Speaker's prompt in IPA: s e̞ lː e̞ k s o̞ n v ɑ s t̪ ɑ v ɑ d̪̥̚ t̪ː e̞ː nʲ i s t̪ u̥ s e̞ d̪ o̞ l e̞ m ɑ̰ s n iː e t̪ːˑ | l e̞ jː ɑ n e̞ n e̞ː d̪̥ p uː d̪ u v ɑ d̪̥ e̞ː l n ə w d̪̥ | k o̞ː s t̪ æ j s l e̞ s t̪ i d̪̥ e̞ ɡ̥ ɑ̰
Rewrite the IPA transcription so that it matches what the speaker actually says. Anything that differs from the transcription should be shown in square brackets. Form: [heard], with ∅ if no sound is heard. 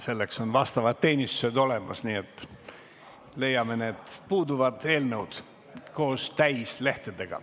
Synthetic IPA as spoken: s e̞ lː e̞ k s o̞ n v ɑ s t̪ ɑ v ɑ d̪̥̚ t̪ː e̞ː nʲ i s t̪ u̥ s e̞ d̪ o̞ l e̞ m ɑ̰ s n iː e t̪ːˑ | l e̞ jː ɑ [m] e̞ n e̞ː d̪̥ p uː d̪ u v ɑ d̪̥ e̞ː l n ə w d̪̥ | k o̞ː s t̪ æ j s l e̞ [h] t̪ [e] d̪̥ e̞ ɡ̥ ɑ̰